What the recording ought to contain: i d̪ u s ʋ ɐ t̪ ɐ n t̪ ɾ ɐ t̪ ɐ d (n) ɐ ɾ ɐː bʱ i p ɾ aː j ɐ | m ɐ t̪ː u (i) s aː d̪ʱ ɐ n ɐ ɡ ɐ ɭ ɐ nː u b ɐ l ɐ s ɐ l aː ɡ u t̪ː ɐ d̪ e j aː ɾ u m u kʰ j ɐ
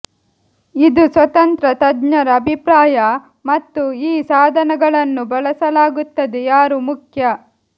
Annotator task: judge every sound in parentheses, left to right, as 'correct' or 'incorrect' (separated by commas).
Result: incorrect, incorrect